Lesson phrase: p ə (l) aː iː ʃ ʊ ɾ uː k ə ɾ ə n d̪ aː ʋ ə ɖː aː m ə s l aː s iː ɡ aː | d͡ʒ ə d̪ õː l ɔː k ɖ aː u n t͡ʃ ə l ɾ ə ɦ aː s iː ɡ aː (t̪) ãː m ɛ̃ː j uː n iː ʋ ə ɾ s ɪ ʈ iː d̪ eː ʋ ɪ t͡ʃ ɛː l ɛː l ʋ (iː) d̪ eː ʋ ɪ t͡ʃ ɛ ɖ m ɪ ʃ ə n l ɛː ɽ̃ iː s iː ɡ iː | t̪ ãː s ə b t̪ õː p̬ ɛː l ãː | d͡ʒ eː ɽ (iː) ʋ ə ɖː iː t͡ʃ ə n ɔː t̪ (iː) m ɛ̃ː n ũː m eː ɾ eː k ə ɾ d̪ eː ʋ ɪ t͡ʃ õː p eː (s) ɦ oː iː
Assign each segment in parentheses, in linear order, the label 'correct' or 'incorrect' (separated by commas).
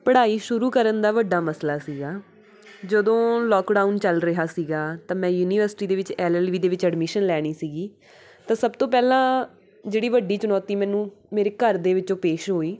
incorrect, correct, correct, correct, correct, incorrect